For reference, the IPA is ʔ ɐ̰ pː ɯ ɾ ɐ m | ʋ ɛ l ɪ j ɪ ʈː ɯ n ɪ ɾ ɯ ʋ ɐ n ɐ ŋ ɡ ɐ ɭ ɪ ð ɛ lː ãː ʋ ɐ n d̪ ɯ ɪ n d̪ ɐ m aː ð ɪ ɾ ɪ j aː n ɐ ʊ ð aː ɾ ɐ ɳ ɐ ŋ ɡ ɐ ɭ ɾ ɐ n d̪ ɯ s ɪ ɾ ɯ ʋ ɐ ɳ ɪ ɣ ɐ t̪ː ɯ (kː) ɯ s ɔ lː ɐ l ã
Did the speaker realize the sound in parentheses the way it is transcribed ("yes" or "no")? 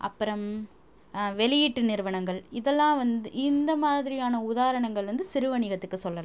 yes